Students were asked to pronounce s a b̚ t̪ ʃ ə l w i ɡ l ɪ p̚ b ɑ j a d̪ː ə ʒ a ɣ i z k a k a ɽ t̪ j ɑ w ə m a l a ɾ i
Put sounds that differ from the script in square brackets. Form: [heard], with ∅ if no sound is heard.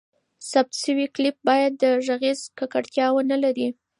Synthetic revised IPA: s a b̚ t̪ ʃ ə [∅] w i [k] l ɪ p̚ b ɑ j a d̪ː ə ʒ a ɣ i z k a k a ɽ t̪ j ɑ w ə [n] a l a ɾ i